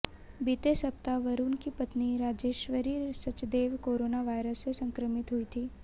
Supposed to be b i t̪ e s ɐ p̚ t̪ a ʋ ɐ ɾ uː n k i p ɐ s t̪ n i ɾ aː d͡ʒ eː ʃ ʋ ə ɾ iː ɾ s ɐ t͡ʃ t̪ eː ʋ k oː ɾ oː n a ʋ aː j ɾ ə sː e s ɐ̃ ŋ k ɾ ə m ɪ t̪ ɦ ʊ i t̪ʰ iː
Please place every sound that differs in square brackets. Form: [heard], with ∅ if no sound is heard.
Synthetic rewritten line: b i t̪ e s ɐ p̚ t̪ a ʋ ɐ ɾ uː n k i p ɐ [∅] t̪ n i ɾ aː d͡ʒ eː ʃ ʋ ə ɾ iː ɾ s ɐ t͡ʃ [d̪] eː ʋ k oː ɾ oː n a ʋ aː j ɾ ə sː e s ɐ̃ ŋ k ɾ ə m ɪ t̪ ɦ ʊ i t̪ʰ iː